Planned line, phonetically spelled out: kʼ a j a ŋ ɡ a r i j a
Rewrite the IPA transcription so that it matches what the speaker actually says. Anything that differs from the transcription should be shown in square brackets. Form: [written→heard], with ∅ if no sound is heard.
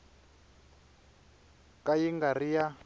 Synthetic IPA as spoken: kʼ a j [a→i] ŋ ɡ a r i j a